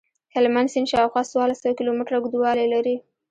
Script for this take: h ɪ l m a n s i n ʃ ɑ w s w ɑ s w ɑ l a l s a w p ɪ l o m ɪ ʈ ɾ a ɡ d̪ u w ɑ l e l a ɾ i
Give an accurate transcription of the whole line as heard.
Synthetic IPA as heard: h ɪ l m a n s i n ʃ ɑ w x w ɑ s w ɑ l a s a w k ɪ l o m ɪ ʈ ɾ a ɡ d̪ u w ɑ l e l a ɾ i